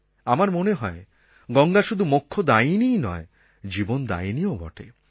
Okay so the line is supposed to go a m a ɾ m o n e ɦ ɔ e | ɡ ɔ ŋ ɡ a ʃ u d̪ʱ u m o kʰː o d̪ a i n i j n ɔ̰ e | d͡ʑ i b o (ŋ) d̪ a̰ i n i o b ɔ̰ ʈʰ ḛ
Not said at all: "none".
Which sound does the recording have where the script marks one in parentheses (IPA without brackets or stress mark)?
n